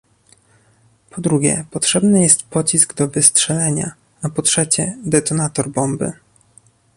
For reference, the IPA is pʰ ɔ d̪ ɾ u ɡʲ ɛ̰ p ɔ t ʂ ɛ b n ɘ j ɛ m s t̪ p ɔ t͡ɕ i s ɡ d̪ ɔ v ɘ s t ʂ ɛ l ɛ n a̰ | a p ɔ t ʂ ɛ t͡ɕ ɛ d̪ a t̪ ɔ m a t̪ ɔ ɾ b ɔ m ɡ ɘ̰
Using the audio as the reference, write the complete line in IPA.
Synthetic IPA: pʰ ɔ d̪ ɾ u ɡʲ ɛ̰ p ɔ t ʂ ɛ b n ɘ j ɛ s t̪ p ɔ t͡ɕ i s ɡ d̪ ɔ v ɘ s t ʂ ɛ l ɛ ɲ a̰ | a p ɔ t ʂ ɛ t͡ɕ ɛ d̪ ɛ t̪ ɔ n a t̪ ɔ ɾ b ɔ m b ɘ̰